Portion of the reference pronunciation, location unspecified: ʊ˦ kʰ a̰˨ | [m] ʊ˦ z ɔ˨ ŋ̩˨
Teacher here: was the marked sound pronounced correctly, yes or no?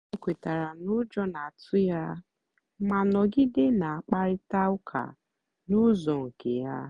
no